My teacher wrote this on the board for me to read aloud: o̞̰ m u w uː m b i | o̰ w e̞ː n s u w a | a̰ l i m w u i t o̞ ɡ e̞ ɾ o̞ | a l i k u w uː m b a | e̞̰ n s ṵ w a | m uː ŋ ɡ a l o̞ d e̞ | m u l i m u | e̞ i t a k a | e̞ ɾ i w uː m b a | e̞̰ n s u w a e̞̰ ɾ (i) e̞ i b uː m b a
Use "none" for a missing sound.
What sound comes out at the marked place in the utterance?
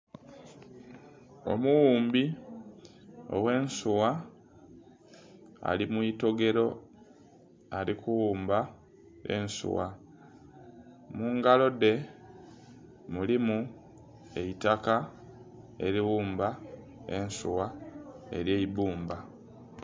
j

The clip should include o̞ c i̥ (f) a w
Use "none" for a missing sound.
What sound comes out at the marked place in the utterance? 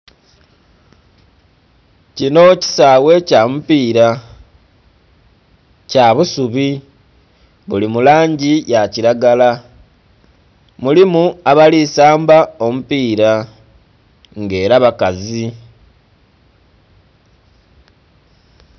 s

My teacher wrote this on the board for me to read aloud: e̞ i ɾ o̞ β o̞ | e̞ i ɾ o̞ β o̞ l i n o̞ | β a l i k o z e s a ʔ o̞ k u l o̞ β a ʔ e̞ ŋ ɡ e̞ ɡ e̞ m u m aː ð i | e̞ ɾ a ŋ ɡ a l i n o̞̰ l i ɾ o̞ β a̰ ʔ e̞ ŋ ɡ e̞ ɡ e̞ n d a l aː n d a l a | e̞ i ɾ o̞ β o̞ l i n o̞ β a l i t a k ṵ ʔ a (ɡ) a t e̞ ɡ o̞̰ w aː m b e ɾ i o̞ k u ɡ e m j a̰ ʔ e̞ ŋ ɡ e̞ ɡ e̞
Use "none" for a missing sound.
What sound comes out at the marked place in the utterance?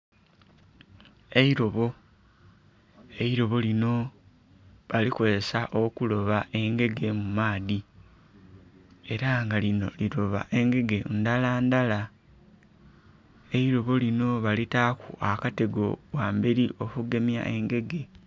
k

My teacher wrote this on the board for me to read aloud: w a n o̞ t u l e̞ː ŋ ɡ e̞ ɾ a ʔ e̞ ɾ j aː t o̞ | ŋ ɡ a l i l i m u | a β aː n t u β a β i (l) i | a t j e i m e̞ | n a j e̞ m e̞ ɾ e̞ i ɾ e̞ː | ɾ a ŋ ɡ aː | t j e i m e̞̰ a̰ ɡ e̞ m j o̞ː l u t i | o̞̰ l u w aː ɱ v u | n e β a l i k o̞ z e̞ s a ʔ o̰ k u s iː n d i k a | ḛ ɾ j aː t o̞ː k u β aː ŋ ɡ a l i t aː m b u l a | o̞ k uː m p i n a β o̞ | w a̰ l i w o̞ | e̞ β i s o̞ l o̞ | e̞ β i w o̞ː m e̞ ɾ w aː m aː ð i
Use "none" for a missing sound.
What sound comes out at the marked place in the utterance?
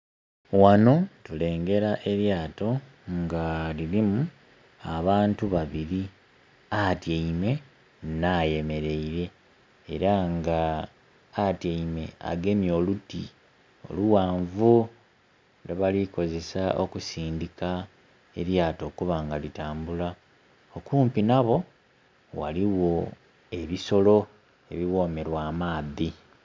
ɾ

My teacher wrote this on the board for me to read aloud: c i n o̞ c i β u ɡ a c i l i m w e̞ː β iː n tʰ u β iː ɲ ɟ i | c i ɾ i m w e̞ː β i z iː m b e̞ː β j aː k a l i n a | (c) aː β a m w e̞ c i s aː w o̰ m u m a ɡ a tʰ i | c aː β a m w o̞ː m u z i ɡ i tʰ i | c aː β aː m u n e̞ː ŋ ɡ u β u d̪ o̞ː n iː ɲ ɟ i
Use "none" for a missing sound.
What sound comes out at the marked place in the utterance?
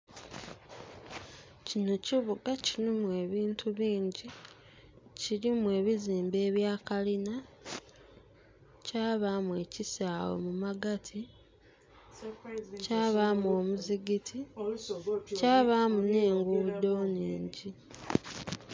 c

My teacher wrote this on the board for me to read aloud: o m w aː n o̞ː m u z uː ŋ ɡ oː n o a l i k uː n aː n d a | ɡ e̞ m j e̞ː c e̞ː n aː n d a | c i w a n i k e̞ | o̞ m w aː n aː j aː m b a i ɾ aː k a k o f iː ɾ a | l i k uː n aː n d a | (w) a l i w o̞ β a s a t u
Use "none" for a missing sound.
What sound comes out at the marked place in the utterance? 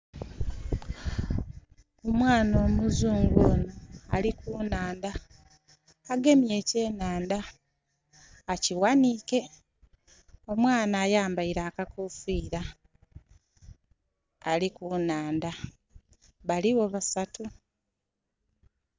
β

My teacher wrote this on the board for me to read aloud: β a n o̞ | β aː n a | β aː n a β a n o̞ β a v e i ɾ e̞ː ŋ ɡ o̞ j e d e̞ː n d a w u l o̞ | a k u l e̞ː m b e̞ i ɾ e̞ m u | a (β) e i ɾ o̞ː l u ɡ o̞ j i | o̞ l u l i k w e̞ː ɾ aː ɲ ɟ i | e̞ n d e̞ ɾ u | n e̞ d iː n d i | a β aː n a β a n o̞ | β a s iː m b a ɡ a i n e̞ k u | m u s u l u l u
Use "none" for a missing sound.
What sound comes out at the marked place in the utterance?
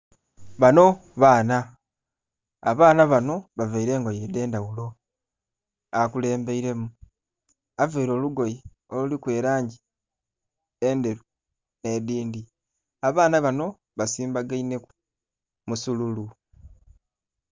v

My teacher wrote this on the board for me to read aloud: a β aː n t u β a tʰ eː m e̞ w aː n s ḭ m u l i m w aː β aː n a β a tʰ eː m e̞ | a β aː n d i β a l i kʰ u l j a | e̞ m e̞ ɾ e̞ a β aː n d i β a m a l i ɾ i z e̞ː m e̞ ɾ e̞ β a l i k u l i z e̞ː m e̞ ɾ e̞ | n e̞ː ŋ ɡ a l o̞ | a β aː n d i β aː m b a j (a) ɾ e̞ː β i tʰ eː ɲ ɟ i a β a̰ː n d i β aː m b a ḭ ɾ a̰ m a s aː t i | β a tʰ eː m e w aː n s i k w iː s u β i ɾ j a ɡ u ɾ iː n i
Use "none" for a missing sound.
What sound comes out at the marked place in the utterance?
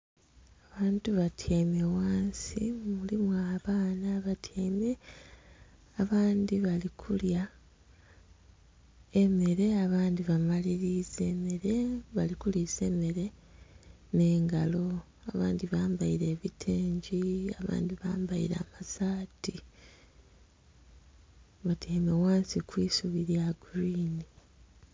i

